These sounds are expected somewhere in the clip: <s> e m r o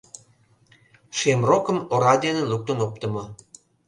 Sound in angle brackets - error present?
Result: yes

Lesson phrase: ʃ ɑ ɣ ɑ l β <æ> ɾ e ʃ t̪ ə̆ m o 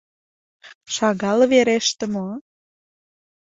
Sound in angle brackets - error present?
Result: yes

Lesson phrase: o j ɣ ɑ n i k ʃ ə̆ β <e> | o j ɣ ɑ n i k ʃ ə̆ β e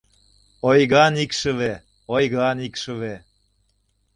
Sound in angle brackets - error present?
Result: no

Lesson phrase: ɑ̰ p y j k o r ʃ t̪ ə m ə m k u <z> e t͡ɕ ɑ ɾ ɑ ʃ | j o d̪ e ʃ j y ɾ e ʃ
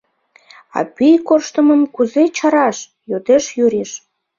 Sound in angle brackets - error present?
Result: no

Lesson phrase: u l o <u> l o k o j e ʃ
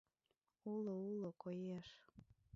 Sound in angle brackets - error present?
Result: no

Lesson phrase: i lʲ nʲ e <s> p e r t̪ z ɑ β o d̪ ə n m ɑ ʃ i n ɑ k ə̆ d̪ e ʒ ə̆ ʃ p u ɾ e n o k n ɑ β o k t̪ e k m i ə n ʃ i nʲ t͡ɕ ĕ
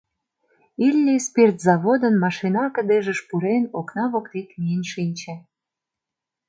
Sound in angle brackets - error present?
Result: no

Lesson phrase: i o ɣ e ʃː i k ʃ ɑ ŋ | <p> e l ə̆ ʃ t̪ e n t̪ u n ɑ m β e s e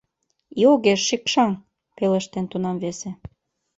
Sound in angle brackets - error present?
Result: no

